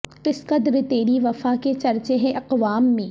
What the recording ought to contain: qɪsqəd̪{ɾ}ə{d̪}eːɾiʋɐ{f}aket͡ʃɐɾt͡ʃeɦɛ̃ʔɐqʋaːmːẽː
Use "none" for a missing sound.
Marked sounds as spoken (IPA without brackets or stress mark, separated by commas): ɾ, t̪, f